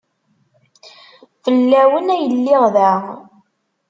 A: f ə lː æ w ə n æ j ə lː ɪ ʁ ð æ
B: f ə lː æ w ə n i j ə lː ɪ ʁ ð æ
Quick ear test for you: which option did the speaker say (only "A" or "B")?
A